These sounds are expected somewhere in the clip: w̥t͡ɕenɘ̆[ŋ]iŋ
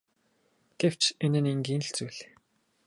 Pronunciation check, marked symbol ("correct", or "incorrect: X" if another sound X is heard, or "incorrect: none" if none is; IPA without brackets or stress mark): incorrect: n